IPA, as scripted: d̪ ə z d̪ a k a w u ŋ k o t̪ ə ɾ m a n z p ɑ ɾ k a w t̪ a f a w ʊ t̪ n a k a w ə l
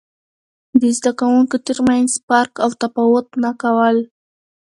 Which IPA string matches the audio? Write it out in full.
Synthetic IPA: d̪ ə z d̪ a k a w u ŋ k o t̪ ə ɾ m a n z p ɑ ɾ k a w t̪ a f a w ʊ t̪ n a k a w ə l